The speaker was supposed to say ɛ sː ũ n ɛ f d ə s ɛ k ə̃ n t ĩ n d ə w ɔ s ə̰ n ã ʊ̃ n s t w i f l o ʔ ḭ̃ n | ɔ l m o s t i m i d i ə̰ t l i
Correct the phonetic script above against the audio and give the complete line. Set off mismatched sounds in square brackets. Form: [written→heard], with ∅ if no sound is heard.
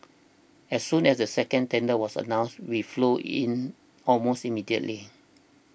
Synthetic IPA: ɛ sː ũ n ɛ [f→s] d ə s ɛ k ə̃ n t [ĩ→ɛ̃] n d ə w ɔ s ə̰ n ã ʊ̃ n s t w i f l o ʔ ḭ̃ n | ɔ l m o s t i m i d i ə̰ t l i